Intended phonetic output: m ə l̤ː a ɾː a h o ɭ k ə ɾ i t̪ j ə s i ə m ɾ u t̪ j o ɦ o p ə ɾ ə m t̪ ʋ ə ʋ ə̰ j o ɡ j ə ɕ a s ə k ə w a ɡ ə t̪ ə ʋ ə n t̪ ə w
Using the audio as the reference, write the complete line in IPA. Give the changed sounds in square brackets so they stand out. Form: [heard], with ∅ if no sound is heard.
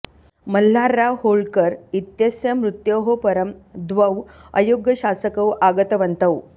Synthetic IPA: m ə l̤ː a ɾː a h o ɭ k ə ɾ i t̪ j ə s [j] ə m ɾ u t̪ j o ɦ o p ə ɾ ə m [d̪] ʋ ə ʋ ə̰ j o ɡ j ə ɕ a s ə k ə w a ɡ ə t̪ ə ʋ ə n t̪ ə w